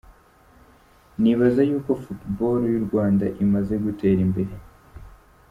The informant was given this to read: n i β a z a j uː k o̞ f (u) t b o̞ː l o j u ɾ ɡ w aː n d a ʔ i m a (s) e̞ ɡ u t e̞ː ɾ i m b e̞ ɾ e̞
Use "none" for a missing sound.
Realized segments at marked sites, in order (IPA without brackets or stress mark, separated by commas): u, z